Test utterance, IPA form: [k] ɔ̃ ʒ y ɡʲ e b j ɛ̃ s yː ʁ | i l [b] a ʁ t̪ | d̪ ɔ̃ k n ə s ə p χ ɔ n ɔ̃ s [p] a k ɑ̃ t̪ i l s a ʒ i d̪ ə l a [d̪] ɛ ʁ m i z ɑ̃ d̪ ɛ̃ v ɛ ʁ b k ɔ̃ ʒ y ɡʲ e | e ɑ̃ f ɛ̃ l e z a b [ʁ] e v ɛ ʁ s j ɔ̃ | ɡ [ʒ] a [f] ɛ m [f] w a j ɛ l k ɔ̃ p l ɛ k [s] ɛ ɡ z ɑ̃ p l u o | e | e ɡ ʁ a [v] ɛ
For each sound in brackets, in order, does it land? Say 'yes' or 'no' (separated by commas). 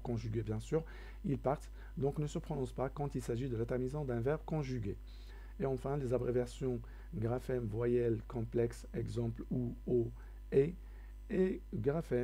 yes, no, yes, no, yes, no, yes, no, yes, no